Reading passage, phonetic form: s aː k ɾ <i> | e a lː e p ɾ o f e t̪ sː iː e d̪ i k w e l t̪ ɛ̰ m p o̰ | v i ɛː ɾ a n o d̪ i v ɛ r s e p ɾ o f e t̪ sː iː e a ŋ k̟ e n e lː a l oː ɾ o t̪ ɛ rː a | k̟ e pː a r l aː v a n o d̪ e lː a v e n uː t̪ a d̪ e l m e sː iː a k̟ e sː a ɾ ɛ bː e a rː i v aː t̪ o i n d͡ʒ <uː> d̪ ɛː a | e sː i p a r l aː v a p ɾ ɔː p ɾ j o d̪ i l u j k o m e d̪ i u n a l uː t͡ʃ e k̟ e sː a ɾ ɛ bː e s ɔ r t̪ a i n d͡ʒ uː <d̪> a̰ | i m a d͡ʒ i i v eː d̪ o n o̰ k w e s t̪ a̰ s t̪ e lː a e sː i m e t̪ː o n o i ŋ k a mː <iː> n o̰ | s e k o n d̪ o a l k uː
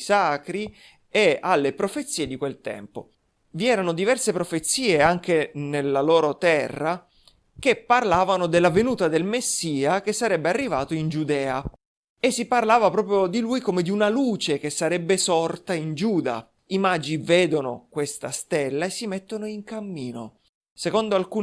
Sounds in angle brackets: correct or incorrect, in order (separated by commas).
correct, incorrect, correct, correct